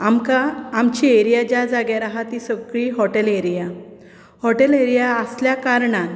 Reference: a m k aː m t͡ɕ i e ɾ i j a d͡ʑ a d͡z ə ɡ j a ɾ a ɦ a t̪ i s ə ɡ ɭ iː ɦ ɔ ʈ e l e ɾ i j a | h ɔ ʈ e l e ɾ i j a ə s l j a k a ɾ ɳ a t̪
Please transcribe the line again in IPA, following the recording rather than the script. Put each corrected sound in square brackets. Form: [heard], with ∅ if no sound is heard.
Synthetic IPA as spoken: a m k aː m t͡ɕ i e ɾ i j a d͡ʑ a d͡z [a] ɡ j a ɾ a ɦ a t̪ i s ə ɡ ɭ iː ɦ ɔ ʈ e l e ɾ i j a | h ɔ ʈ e l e ɾ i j a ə s l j a k a ɾ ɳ a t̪